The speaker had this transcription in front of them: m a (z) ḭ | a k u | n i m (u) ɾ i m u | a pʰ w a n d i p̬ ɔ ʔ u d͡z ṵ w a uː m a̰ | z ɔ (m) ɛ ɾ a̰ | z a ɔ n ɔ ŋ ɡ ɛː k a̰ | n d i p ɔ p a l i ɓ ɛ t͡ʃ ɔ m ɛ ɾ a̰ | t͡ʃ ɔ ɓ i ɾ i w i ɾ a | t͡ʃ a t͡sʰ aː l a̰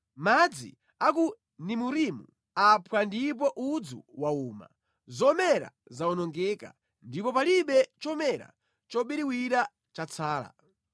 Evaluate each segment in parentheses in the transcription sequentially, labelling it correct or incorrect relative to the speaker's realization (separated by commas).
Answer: incorrect, correct, correct